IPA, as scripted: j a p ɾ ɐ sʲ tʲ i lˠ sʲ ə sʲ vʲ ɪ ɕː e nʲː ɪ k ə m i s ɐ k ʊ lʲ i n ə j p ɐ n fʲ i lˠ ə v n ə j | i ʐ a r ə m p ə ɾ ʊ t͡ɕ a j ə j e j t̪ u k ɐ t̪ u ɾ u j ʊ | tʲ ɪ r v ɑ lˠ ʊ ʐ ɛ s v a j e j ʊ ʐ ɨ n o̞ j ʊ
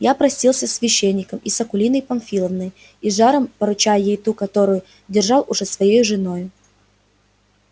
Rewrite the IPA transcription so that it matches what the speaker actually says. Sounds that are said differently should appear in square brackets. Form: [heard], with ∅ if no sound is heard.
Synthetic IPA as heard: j a p ɾ ɐ sʲ tʲ i lˠ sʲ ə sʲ vʲ ɪ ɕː e nʲː ɪ k ə m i s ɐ k ʊ lʲ i n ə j p ɐ n fʲ i lˠ ə v n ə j | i ʐ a [ɾ] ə m p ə ɾ ʊ t͡ɕ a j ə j e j t̪ u k ɐ t̪ [o] ɾ [ʊ] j ʊ | [dʲ] ɪ r [ʐ] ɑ lˠ ʊ ʐ ɛ s v [ɐ] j e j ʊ ʐ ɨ n o̞ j ʊ